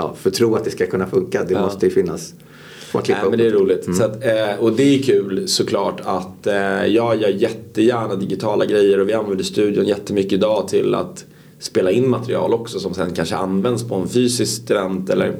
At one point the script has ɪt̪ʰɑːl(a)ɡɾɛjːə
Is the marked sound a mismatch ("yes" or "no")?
no